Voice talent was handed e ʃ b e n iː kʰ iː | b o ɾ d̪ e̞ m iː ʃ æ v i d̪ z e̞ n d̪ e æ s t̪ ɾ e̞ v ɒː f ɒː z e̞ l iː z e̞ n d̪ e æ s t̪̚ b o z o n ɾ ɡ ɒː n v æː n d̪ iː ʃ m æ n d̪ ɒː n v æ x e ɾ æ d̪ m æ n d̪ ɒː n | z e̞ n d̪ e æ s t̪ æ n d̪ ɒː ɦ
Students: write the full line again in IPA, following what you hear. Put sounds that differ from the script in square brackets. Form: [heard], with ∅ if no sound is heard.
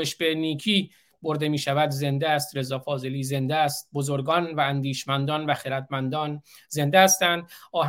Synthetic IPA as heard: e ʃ b e n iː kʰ iː | b o ɾ d̪ e̞ m iː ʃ æ v [æ] d̪ z e̞ n d̪ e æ s t̪ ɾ e̞ [z] ɒː f ɒː z e̞ l iː z e̞ n d̪ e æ s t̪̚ b o z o [∅] ɾ ɡ ɒː n v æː n d̪ iː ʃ m æ n d̪ ɒː n v æ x e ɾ æ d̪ m æ n d̪ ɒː n | z e̞ n d̪ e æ s t̪ æ n d̪ ɒː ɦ